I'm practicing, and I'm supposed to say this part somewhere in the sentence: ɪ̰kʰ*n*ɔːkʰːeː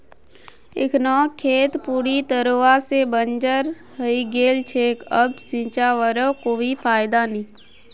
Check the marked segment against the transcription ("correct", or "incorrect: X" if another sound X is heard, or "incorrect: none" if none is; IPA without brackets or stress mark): correct